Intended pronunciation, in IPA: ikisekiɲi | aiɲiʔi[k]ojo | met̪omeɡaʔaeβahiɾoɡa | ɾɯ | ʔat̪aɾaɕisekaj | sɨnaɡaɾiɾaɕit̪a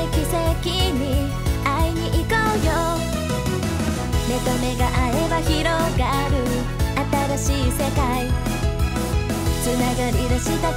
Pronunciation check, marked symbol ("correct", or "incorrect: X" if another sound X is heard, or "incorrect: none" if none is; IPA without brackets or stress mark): correct